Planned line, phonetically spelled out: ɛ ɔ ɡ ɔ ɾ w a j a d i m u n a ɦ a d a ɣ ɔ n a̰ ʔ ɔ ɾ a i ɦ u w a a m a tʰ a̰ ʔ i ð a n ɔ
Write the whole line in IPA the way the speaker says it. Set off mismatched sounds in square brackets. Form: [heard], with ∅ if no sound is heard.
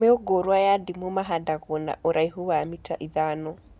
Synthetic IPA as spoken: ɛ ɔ ɡ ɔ ɾ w a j a d i m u [m] a ɦ a d a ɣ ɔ n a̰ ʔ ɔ ɾ a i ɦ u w a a m [i] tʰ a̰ ʔ i ð a n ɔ